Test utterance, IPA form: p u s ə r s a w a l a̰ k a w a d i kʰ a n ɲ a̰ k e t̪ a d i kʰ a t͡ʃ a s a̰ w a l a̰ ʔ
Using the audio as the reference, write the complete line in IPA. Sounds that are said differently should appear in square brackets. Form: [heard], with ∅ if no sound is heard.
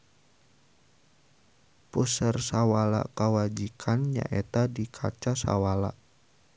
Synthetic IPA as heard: p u s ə r s a w a l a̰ k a w a [d͡ʒ] i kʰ a n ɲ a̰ [ʔ] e t̪ a d i kʰ a t͡ʃ a s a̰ w a l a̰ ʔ